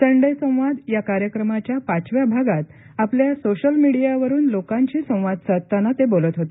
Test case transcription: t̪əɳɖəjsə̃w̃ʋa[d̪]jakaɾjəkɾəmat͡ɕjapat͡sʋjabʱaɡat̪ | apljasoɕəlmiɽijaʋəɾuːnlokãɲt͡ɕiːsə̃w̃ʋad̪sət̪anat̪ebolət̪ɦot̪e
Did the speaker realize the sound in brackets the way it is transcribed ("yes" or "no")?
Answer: yes